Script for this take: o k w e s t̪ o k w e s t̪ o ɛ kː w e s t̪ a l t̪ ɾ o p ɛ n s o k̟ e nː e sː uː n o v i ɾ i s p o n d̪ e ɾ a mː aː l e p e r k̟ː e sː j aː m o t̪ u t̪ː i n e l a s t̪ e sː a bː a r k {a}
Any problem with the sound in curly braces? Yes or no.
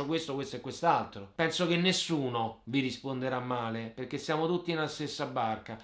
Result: no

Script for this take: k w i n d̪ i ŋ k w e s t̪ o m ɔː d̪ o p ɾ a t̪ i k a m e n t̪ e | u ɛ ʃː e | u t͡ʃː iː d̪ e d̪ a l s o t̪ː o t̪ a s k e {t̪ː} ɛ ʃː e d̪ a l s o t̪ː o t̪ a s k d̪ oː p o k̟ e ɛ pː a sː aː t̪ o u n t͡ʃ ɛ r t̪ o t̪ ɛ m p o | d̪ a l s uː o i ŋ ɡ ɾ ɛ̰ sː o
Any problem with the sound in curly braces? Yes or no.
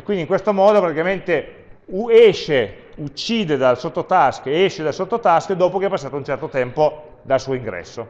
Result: yes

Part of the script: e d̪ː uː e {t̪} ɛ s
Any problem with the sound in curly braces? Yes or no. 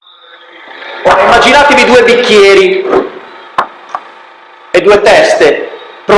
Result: no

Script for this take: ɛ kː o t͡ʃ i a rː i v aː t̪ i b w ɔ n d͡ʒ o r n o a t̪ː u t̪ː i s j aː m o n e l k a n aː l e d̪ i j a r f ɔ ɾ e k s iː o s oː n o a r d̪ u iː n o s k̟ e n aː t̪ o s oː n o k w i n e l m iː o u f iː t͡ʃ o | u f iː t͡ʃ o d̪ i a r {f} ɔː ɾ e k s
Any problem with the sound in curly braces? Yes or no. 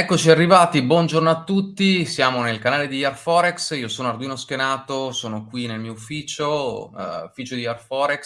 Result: no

